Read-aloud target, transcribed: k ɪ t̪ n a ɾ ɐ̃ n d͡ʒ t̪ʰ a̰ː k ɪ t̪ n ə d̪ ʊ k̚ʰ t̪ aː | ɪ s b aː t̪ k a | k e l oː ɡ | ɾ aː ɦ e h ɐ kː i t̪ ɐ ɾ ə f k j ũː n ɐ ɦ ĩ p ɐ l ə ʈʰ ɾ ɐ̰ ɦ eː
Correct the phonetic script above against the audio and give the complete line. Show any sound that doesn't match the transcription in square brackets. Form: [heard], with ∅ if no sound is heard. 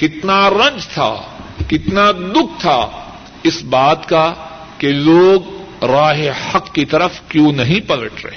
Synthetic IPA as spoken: k ɪ t̪ n a ɾ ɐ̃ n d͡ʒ t̪ʰ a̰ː k ɪ t̪ n [a] d̪ ʊ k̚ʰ [t̪ʰ] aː | ɪ s b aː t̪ k a | k e l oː ɡ | ɾ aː ɦ e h ɐ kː i t̪ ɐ ɾ ə f k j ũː n ɐ ɦ ĩ p ɐ l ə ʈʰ ɾ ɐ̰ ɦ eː